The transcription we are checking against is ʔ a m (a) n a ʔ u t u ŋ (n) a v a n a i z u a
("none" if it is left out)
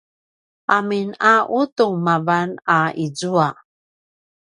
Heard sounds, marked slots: i, m

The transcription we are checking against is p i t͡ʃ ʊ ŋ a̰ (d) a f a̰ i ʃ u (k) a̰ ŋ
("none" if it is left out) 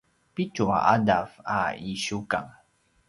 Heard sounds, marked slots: d, k

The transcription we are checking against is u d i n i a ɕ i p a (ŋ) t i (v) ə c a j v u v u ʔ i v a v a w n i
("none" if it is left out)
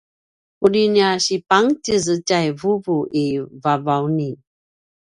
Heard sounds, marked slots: ŋ, z

